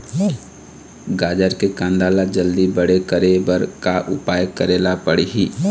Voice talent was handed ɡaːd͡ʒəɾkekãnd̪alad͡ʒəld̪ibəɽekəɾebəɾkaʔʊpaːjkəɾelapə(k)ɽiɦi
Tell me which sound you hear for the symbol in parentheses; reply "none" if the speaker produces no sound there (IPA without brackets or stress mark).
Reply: none